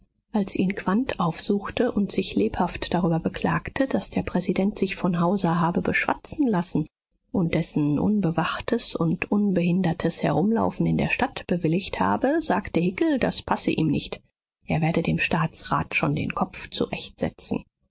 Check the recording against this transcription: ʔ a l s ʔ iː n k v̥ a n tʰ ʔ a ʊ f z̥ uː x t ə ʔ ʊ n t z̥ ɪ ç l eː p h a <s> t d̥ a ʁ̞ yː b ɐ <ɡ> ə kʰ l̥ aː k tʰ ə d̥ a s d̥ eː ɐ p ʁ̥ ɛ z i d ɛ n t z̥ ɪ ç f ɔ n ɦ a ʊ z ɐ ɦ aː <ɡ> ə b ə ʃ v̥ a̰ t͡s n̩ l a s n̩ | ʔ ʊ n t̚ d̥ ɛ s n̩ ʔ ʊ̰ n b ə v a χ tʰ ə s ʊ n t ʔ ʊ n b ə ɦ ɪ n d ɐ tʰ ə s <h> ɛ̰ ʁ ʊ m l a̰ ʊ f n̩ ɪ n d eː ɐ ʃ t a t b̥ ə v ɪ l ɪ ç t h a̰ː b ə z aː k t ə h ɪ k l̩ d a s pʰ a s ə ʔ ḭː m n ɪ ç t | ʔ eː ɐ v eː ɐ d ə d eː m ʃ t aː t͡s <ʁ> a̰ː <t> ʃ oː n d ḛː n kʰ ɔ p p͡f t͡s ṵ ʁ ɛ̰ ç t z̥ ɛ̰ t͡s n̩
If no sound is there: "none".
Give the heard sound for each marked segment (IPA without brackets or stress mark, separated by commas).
f, b, b, h, ʁ, t